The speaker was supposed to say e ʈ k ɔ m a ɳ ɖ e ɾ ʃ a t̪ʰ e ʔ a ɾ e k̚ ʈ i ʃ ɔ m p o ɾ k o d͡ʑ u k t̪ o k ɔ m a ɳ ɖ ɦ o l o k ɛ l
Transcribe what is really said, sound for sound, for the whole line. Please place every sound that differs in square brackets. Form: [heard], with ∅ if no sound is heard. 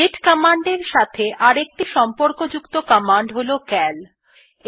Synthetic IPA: e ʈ k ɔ m a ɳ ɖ e ɾ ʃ a t̪ʰ e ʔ a ɾ e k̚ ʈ i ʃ ɔ m p o ɾ k o d͡ʑ u k t̪ o k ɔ m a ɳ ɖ ɦ o l o k ɛ l